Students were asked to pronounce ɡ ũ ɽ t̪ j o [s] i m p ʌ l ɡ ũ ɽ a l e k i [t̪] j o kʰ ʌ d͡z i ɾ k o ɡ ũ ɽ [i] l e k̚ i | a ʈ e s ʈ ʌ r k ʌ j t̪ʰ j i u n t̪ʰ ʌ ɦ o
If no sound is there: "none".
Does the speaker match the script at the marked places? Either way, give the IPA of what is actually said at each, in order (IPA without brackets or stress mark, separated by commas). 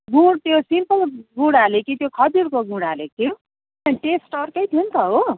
s, t̪, a